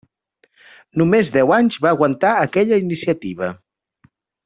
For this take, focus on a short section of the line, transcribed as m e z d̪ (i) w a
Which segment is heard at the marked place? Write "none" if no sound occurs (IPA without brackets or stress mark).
ɛ